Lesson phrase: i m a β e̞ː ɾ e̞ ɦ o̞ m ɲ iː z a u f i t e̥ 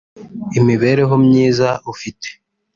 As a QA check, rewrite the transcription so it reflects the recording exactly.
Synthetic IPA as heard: i m i β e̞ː ɾ e̞ ɦ o̞ m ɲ iː z a u f i t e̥